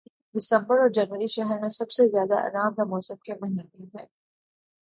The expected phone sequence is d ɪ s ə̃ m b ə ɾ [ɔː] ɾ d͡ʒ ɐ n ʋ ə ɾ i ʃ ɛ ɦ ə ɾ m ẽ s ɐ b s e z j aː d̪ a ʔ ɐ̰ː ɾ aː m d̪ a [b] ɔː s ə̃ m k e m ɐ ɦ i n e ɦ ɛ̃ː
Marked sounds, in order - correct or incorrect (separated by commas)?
correct, incorrect